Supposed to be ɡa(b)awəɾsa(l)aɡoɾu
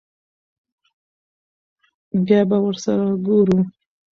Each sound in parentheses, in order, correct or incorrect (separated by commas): correct, incorrect